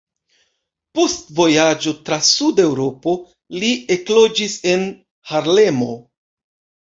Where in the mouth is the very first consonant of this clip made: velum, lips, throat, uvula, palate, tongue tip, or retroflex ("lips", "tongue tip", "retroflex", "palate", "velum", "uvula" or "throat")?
lips